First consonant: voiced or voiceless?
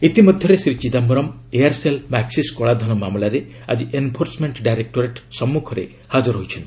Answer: voiceless